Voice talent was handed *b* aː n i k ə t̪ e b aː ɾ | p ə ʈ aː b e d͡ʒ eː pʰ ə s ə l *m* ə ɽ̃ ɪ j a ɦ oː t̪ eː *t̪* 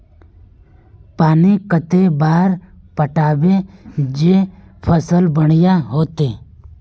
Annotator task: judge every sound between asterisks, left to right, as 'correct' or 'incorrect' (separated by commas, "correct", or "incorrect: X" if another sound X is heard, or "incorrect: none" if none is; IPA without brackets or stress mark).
incorrect: p, incorrect: b, incorrect: none